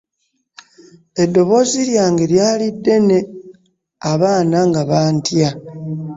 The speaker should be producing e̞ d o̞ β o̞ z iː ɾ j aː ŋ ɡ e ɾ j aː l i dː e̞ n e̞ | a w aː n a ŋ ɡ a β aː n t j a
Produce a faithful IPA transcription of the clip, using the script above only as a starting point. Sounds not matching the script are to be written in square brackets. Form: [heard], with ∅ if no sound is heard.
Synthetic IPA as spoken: e̞ d o̞ β o̞ z [i] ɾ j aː ŋ ɡ e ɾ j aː l i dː e̞ n e̞ | a [β] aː n a ŋ ɡ a β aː n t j a